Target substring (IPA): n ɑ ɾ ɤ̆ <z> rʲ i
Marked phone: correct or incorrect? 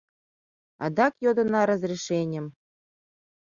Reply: correct